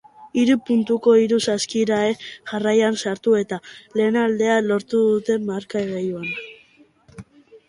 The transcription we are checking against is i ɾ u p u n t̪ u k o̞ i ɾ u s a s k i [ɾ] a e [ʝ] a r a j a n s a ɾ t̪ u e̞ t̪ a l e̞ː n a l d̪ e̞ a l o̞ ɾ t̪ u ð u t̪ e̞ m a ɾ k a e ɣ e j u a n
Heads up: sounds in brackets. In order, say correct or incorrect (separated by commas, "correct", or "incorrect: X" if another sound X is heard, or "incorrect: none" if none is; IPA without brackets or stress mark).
correct, correct